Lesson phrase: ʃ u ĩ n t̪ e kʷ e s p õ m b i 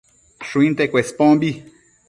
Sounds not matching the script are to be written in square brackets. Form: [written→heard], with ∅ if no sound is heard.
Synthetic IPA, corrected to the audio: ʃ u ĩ n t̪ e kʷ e s p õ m b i